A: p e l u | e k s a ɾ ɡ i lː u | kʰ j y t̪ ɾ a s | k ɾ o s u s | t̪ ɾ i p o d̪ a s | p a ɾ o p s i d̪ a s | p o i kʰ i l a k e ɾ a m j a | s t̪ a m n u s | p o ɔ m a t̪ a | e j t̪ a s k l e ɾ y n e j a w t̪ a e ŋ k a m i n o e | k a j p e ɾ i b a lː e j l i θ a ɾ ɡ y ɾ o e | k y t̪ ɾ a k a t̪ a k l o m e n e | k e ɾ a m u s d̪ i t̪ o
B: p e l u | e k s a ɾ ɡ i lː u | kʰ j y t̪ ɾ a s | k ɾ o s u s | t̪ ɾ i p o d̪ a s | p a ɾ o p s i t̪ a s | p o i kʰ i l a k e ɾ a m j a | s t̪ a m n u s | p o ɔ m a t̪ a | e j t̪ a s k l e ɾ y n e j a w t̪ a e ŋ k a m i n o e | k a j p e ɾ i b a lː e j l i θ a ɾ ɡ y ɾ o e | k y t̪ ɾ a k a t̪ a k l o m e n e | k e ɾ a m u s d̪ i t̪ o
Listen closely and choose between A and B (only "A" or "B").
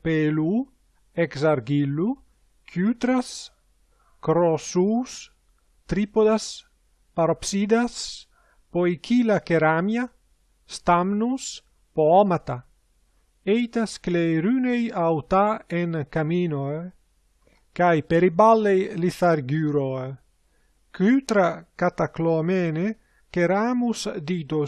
A